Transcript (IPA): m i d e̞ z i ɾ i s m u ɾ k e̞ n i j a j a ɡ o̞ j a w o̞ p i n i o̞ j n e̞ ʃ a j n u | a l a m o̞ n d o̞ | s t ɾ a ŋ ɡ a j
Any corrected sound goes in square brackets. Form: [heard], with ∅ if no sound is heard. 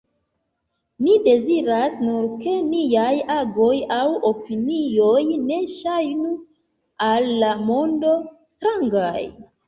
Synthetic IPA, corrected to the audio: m i d e̞ z i ɾ [a] s [n] u ɾ k e̞ n i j a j a ɡ o̞ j a w o̞ p i n i o̞ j n e̞ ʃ a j n u | a [lː] a m o̞ n d o̞ | s t ɾ a ŋ ɡ a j